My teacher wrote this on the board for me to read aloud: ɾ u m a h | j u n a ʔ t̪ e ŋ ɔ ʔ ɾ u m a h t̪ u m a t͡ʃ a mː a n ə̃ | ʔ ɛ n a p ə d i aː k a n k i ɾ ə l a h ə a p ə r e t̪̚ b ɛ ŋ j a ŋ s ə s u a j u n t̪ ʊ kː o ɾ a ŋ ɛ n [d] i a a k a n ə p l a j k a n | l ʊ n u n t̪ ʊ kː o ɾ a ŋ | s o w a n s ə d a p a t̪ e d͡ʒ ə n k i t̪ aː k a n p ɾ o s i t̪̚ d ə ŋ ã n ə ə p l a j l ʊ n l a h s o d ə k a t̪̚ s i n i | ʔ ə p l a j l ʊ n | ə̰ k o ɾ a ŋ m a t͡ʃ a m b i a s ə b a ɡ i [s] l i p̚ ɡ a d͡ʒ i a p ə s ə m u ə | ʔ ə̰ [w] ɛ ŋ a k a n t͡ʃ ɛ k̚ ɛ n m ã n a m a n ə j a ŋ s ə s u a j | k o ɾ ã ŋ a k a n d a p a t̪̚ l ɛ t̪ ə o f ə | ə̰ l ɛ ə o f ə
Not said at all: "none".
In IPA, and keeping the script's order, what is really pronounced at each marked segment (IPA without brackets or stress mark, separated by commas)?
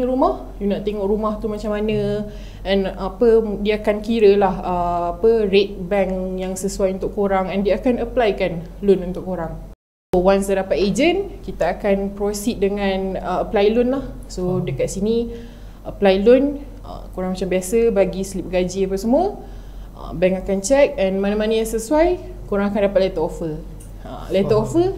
d, s, b